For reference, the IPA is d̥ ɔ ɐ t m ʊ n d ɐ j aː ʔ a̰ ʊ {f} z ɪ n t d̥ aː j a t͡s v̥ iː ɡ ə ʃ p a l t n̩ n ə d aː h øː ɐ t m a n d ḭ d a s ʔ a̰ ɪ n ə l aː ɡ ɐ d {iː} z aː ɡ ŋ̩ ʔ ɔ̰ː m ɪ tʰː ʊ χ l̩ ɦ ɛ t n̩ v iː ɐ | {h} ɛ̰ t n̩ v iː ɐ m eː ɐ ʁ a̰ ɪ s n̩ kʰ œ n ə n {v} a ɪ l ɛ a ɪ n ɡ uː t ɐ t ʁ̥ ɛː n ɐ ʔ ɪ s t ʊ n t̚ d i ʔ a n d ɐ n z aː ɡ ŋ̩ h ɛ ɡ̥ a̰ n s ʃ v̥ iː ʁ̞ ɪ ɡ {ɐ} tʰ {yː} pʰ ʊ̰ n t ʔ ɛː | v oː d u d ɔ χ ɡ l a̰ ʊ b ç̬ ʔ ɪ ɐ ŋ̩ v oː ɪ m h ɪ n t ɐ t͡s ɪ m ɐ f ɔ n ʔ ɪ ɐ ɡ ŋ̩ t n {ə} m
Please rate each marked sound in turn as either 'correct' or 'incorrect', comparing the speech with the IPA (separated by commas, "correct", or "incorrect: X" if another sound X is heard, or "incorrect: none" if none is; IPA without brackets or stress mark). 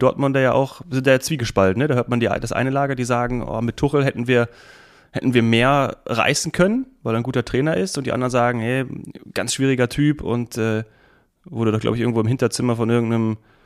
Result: incorrect: x, correct, correct, correct, correct, correct, correct